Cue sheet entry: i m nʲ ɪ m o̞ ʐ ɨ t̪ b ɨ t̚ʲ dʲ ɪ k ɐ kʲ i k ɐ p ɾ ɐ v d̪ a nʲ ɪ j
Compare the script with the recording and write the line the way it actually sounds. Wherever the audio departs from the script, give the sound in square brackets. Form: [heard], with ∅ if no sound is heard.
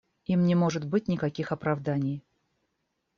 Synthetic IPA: i m nʲ ɪ m o̞ ʐ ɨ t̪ b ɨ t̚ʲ [nʲ] ɪ k ɐ kʲ i [x] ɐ p ɾ ɐ v d̪ a nʲ ɪ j